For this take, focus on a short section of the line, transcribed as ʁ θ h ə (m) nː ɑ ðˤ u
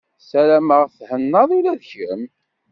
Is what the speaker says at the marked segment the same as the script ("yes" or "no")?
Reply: no